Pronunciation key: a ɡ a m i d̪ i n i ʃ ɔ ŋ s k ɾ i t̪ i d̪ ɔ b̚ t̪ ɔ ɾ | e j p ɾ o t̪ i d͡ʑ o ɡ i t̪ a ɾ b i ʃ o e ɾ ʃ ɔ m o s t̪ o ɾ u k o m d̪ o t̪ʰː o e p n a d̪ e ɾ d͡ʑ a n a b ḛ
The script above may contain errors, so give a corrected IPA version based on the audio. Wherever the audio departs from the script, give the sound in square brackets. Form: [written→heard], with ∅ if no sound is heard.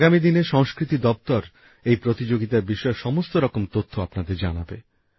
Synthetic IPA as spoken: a ɡ a m i d̪ i n [i→e] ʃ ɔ ŋ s k ɾ i t̪ i d̪ ɔ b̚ t̪ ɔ ɾ | e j p ɾ o t̪ i d͡ʑ o ɡ i t̪ a ɾ b i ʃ [o→ɔ] e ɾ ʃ ɔ m o s t̪ o ɾ [u→ɔ] k o m [d̪→t̪] o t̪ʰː o [e→a] p n a d̪ e ɾ d͡ʑ a n a b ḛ